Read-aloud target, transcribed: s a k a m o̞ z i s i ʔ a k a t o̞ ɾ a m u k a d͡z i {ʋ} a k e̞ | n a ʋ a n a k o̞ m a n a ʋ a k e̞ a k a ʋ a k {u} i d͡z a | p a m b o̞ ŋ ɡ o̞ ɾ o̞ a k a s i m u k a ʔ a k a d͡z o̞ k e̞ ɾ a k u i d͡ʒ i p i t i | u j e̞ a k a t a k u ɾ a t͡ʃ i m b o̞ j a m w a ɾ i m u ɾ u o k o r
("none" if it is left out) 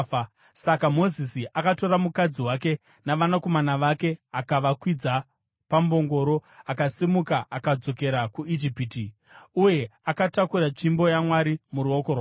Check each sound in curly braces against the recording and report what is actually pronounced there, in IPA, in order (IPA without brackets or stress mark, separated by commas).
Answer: w, w